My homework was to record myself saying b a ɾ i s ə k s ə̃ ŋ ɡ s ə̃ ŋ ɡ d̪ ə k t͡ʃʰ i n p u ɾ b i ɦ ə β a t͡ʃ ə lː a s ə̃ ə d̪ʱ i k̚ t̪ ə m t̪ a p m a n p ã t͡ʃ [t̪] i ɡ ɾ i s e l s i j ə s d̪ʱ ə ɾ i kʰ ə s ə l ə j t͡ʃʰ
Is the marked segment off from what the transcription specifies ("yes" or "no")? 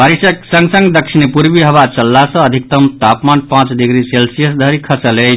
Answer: yes